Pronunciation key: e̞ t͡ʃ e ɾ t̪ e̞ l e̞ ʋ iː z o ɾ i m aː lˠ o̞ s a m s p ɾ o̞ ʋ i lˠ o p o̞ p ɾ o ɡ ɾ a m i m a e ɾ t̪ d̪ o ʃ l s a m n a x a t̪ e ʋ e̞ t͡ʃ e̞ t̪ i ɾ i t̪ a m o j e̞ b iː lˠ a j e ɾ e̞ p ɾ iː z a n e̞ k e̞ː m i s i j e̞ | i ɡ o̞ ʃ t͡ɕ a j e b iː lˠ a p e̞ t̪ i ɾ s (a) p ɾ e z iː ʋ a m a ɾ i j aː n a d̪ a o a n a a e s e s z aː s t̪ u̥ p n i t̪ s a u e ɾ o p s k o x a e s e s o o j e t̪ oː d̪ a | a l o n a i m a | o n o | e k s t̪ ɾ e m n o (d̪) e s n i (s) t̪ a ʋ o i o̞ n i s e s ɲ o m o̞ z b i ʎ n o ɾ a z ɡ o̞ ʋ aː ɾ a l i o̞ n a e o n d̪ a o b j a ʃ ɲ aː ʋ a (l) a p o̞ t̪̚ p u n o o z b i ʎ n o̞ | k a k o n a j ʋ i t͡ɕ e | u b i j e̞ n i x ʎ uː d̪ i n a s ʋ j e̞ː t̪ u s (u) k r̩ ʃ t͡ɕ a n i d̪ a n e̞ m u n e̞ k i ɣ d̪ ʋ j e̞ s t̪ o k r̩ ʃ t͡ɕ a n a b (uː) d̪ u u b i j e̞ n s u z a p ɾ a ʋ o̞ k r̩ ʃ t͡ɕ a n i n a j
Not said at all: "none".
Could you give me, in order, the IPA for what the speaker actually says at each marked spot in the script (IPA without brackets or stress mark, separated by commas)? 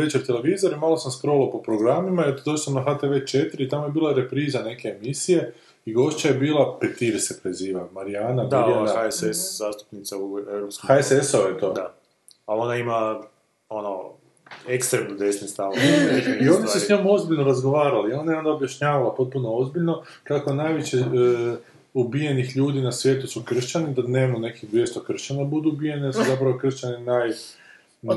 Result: e, d̪, s, l, u, u